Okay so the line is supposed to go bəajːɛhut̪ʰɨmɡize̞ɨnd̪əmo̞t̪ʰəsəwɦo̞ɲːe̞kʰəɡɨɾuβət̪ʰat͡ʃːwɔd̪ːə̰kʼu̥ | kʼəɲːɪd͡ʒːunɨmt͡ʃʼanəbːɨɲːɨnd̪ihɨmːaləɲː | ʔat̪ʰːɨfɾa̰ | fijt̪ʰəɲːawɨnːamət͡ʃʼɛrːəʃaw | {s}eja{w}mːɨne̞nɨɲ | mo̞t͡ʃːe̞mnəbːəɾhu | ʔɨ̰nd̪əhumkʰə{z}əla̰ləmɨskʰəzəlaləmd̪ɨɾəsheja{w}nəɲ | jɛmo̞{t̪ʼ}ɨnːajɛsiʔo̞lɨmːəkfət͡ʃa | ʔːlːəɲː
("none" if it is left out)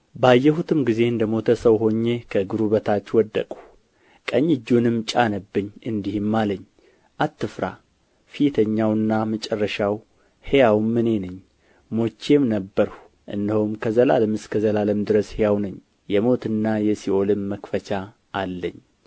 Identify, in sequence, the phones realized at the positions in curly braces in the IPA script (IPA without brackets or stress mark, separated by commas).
h, w, z, w, t̪